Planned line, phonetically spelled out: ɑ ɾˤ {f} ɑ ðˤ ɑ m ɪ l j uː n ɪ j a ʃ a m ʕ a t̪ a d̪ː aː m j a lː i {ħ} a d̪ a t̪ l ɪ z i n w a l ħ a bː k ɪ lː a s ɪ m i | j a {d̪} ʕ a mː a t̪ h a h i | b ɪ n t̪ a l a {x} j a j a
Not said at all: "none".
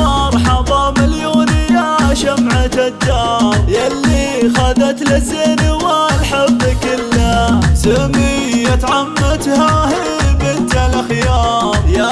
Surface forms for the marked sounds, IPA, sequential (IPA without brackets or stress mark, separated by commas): ħ, x, t̪, x